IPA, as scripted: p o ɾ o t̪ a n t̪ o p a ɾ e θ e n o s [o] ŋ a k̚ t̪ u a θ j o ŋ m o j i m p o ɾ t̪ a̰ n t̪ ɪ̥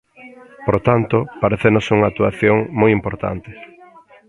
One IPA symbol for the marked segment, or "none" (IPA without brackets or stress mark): u